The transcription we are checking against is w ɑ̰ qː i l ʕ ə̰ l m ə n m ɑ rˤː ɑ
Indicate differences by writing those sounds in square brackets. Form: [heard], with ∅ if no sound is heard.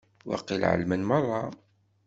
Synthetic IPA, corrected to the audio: w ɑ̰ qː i l ʕ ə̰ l m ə n m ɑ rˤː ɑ